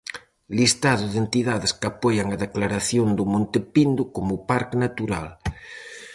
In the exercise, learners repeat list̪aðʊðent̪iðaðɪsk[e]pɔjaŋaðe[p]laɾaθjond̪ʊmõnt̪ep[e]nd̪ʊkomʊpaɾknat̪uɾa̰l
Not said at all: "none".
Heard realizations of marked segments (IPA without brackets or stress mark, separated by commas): a, k, i